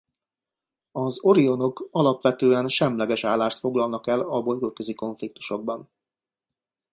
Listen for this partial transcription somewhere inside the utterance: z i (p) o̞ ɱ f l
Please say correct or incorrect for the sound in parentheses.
incorrect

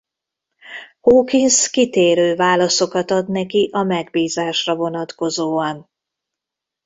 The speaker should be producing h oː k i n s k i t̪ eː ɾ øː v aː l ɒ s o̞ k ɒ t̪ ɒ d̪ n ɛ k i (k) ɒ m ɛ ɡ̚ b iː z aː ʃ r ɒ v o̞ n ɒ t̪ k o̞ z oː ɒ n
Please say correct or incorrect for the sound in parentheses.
incorrect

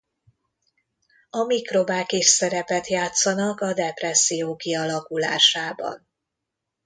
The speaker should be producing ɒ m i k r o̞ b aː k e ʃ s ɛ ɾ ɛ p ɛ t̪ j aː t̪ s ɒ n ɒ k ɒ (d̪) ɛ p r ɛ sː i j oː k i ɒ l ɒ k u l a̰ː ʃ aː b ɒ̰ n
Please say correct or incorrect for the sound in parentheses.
correct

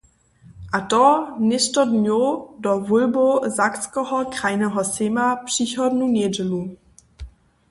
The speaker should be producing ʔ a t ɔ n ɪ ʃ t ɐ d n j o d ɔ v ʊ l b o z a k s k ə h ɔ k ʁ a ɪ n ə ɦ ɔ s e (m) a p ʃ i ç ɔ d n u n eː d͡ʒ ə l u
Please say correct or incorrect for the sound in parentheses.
correct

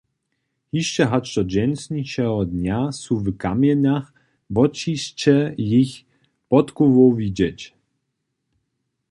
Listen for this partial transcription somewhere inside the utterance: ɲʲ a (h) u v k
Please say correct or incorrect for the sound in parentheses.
incorrect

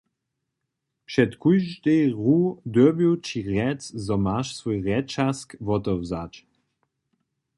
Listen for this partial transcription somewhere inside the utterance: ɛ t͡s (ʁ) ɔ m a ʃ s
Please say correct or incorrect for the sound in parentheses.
incorrect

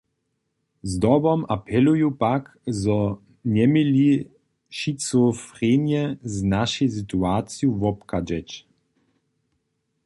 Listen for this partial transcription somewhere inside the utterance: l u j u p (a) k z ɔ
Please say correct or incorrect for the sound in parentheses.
correct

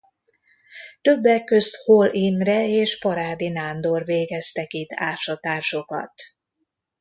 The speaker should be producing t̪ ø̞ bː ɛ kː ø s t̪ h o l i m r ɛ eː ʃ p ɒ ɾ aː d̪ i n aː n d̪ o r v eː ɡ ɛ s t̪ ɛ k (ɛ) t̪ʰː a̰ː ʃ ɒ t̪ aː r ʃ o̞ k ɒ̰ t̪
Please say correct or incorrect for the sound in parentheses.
incorrect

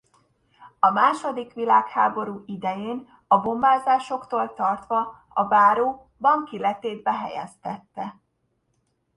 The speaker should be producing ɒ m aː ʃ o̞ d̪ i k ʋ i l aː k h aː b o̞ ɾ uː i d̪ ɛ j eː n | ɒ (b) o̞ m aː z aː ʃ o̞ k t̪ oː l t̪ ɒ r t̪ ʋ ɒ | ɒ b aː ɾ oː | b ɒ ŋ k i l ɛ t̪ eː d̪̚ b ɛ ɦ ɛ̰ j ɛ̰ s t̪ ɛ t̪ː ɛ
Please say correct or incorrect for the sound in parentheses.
correct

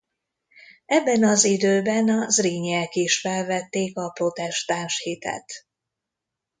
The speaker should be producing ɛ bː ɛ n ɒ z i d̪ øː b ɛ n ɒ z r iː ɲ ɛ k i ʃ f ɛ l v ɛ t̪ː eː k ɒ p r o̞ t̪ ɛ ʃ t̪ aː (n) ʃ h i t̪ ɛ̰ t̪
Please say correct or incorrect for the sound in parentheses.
correct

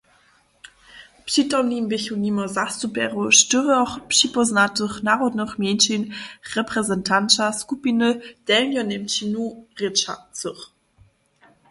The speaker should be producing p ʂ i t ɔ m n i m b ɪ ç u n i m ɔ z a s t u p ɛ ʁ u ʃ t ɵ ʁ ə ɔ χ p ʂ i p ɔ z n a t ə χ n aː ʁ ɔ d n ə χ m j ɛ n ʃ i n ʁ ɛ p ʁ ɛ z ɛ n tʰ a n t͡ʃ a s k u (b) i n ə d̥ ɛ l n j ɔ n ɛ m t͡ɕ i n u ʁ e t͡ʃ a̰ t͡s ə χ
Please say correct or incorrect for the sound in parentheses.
incorrect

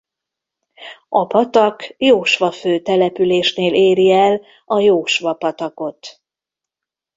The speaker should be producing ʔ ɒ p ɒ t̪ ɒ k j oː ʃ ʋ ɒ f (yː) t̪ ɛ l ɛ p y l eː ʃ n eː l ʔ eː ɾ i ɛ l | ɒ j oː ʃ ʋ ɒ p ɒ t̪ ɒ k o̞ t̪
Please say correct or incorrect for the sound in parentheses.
incorrect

